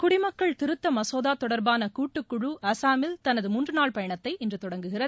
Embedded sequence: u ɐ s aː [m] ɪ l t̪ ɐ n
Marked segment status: correct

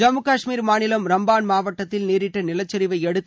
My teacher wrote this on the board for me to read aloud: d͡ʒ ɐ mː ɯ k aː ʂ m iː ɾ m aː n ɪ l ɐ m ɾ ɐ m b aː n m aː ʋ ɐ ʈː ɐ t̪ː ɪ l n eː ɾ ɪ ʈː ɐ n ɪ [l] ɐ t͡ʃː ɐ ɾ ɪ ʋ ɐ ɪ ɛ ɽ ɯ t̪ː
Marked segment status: correct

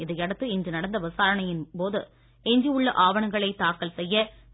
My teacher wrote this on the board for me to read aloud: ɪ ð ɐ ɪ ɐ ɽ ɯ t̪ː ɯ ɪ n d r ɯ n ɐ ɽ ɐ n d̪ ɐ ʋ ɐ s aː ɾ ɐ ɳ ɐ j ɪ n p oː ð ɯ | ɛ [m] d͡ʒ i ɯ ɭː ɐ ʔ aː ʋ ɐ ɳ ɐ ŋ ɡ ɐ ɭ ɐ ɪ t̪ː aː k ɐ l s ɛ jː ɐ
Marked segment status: incorrect: ɲ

